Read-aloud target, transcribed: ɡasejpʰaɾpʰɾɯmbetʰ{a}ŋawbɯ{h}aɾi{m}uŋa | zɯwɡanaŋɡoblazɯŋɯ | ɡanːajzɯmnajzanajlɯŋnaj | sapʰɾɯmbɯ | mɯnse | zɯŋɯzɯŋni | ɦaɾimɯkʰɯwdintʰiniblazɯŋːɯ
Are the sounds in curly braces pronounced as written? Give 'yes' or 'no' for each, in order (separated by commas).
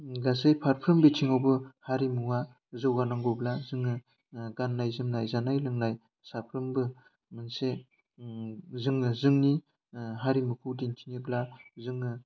no, yes, yes